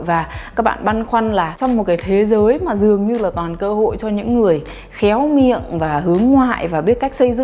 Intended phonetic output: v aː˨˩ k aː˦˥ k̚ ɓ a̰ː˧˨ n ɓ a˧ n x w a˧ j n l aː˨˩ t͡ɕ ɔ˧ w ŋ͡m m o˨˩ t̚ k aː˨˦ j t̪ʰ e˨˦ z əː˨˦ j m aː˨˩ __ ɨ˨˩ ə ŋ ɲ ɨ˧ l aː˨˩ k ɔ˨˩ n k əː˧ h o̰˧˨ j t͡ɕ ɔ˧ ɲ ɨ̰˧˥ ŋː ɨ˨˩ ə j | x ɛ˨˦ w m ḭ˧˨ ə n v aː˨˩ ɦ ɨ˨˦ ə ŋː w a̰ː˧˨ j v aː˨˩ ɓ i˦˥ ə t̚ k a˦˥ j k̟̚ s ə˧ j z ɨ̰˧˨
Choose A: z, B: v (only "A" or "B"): A